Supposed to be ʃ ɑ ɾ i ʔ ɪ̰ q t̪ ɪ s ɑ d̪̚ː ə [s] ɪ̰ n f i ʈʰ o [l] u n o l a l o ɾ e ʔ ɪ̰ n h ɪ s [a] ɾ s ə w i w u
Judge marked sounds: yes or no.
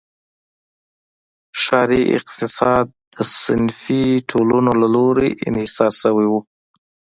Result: yes, yes, no

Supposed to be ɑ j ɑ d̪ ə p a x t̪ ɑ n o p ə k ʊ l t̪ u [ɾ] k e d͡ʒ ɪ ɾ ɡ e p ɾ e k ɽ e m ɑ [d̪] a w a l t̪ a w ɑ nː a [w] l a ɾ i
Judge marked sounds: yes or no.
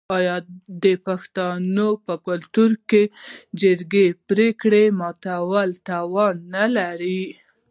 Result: yes, no, no

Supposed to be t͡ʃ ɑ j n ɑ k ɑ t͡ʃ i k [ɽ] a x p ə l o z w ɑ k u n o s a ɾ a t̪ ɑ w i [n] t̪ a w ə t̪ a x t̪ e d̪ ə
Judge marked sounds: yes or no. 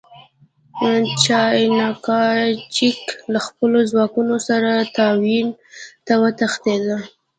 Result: no, yes

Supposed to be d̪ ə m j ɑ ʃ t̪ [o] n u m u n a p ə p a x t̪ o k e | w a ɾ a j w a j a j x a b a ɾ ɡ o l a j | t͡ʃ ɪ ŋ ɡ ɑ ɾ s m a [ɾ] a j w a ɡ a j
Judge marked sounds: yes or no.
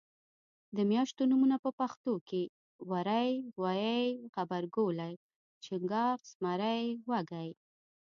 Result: yes, yes

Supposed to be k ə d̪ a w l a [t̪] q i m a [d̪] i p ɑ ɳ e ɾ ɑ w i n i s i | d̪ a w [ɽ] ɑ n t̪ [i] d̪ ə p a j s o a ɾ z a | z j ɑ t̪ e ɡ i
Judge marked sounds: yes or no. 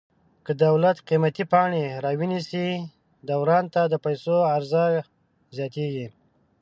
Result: yes, no, no, no

